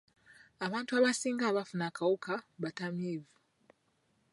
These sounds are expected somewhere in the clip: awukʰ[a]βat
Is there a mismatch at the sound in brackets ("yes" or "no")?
no